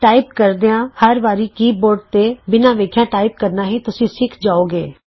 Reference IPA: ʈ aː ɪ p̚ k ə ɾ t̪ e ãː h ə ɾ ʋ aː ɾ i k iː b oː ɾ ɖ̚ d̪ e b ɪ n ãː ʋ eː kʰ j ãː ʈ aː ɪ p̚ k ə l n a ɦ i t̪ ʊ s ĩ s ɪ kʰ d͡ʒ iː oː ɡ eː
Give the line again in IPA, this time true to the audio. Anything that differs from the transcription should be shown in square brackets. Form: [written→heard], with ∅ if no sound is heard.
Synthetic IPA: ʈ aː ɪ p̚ k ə ɾ [t̪→d̪] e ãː h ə ɾ ʋ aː ɾ i k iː b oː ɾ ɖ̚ [d̪→t̪] e b ɪ n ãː ʋ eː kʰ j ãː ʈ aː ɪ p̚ k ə [l→ɾ] n a ɦ i t̪ ʊ s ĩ s ɪ kʰ d͡ʒ [iː→aː] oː ɡ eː

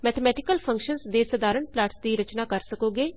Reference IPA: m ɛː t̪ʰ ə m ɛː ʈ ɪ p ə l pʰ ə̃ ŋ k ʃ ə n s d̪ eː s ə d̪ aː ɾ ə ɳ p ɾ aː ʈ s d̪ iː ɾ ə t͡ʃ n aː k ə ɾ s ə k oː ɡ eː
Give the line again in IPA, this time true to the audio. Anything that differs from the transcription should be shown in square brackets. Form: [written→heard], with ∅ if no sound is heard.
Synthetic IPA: m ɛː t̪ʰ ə m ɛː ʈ ɪ [p→k] ə l pʰ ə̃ ŋ k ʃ ə n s d̪ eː s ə d̪ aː ɾ ə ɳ p [ɾ→l] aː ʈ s d̪ iː ɾ ə t͡ʃ n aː k ə ɾ s ə k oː ɡ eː

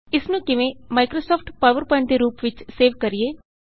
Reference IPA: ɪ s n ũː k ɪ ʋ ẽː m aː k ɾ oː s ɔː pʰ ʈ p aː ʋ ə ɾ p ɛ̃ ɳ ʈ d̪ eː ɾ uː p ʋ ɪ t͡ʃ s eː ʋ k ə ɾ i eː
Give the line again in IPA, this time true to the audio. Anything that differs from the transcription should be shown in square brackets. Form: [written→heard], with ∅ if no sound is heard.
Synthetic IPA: ɪ s n ũː k ɪ ʋ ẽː m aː k ɾ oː s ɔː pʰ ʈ p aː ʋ ə ɾ p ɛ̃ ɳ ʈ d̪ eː ɾ uː p ʋ ɪ t͡ʃ s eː ʋ k ə ɾ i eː

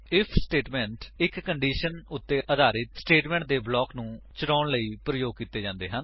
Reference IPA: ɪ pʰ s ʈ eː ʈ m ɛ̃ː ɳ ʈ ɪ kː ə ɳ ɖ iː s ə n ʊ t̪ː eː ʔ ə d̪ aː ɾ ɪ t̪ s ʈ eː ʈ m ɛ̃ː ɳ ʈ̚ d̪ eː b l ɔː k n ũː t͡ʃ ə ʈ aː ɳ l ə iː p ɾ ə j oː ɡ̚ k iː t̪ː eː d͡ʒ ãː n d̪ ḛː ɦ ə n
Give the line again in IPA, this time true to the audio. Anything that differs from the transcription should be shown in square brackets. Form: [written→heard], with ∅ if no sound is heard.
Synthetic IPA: ɪ pʰ s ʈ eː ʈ m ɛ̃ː ɳ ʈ ɪ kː ə ɳ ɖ iː [s→ʃ] ə n ʊ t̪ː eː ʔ ə d̪ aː ɾ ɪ t̪ s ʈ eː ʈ m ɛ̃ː ɳ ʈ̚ d̪ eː b l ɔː k n ũː t͡ʃ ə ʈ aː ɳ l ə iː p ɾ ə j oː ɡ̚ k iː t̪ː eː d͡ʒ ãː n d̪ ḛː ɦ ə n

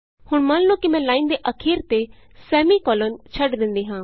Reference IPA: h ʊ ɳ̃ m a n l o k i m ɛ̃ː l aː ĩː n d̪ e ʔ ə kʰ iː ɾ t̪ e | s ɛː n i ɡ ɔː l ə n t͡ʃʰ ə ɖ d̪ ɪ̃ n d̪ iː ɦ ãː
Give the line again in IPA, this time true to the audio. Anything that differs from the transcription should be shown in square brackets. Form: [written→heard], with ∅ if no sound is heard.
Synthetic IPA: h ʊ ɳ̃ m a n l o k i m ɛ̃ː l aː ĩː n d̪ e ʔ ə kʰ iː ɾ t̪ e | s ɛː [n→m] i [ɡ→k] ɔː l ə n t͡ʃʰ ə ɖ d̪ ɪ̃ n d̪ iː ɦ ãː

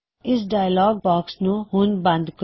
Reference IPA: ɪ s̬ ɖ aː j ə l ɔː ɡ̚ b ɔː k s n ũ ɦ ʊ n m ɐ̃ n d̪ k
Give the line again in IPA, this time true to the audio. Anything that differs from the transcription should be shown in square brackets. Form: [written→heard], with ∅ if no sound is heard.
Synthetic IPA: ɪ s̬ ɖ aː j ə l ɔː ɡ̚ b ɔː k s n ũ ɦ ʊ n [m→b] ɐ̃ n d̪ k

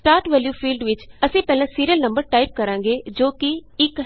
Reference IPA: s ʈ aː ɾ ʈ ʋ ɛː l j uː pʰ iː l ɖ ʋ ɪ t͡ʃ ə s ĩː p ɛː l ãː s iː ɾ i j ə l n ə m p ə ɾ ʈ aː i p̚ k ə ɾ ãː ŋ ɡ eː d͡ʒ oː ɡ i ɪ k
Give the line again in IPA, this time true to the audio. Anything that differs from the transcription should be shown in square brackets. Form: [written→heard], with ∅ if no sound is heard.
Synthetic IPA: s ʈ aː ɾ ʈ ʋ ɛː l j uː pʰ iː l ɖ ʋ ɪ t͡ʃ ə s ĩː p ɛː l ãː s iː ɾ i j ə l n ə m [p→b] ə ɾ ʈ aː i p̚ k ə ɾ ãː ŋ ɡ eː d͡ʒ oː [ɡ→k] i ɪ k

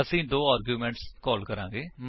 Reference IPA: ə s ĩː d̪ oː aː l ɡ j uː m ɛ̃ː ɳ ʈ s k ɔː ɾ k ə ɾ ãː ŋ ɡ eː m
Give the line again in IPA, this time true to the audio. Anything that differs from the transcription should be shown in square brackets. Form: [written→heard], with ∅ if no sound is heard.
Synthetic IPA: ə s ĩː d̪ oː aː [l→ɾ] ɡ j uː m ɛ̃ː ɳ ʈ s k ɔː [ɾ→l] k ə ɾ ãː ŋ ɡ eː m

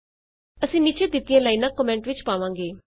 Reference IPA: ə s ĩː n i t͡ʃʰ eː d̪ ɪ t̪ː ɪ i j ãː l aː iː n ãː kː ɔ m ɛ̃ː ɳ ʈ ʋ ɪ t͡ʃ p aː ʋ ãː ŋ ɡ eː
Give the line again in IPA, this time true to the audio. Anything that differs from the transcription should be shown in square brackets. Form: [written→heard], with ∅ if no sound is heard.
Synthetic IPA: ə s ĩː n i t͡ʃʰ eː d̪ ɪ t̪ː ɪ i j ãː l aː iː n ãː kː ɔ m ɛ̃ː ɳ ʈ ʋ ɪ t͡ʃ p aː ʋ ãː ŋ ɡ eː

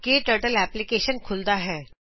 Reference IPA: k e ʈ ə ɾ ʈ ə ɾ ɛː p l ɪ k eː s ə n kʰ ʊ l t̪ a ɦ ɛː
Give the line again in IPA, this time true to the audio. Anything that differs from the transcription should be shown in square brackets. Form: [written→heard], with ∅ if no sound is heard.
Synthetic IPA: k e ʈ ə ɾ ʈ ə [ɾ→l] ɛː p l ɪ k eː [s→ʃ] ə n kʰ ʊ l [t̪→d̪] a ɦ ɛː

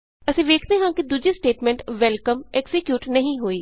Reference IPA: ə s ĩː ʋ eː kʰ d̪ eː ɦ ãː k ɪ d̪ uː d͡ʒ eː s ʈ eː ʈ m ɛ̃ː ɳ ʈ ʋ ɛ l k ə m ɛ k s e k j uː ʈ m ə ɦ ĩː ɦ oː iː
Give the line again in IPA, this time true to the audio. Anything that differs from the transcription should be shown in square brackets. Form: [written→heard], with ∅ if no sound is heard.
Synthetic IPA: ə s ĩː ʋ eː kʰ d̪ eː ɦ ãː k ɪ d̪ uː d͡ʒ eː s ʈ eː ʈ m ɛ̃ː ɳ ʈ ʋ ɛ l k ə m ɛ k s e k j uː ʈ [m→n] ə ɦ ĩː ɦ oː iː

